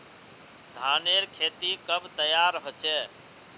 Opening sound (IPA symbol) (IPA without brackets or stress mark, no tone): d̪ʱ